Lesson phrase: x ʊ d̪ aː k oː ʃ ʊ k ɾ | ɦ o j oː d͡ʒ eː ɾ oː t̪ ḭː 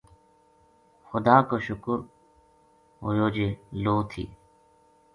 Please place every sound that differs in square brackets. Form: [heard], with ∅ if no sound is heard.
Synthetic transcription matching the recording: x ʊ d̪ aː k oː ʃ ʊ k ɾ | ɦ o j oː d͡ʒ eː [l] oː [t̪ʰ] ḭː